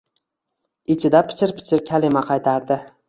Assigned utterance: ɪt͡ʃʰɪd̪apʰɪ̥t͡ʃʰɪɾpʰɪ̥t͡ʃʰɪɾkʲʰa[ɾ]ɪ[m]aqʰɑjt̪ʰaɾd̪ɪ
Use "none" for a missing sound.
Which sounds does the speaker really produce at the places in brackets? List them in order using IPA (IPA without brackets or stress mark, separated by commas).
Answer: l, m